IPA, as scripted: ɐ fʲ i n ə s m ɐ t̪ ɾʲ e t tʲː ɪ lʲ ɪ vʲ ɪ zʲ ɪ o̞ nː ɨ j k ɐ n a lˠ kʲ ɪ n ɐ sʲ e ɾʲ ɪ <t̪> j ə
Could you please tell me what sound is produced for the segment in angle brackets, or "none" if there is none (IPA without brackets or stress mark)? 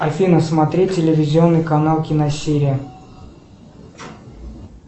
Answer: none